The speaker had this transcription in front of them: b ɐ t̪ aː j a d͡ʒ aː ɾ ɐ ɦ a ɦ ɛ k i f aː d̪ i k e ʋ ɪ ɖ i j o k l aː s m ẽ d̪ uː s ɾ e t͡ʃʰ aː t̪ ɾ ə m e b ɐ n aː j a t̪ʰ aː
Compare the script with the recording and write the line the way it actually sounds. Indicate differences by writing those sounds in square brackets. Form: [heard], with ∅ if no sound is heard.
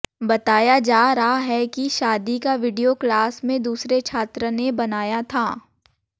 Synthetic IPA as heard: b ɐ t̪ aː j a d͡ʒ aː ɾ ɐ ɦ a ɦ ɛ k i [ʃ] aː d̪ i k [a] ʋ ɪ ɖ i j o k l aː s m ẽ d̪ uː s ɾ e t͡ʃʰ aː t̪ ɾ ə [n] e b ɐ n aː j a t̪ʰ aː